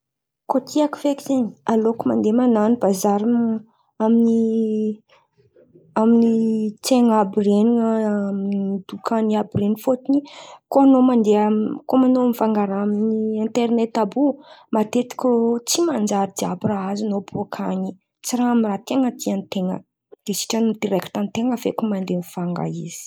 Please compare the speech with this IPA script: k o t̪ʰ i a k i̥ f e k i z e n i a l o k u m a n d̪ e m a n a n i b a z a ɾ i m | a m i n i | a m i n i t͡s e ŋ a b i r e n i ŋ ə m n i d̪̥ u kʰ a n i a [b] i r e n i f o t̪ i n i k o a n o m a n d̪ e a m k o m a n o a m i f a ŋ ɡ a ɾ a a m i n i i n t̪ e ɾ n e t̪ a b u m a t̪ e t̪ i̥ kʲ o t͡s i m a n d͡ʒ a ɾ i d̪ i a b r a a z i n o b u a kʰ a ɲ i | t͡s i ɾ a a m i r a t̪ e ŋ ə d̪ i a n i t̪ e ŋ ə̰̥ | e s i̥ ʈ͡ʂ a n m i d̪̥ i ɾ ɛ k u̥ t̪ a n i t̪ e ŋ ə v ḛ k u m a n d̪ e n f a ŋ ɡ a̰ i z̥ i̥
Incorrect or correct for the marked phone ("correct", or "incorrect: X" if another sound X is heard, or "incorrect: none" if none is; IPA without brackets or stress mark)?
correct